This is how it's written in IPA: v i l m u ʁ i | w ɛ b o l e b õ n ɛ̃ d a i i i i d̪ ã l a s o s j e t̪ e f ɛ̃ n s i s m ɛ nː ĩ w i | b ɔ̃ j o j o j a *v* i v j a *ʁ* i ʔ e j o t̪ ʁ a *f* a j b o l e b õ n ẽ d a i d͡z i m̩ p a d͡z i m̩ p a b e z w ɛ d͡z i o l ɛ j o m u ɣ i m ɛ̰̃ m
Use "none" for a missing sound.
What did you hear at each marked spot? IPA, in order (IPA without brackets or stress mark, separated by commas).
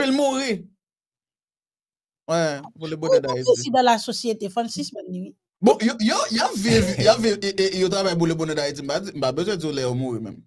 v, v, v